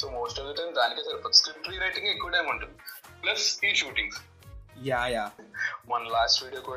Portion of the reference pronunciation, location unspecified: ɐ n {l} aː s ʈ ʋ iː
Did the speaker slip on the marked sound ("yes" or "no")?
no